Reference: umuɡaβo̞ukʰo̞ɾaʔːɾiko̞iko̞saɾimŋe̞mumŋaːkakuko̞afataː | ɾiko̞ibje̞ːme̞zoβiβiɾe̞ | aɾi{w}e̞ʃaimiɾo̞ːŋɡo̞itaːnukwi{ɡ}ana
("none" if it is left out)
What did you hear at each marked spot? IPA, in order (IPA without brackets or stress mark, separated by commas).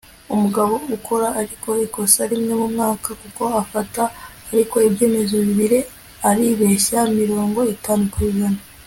β, ɡ